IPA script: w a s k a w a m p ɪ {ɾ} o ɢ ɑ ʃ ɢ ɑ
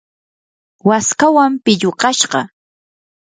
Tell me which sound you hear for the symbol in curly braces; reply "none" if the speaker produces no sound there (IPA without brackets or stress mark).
ʎ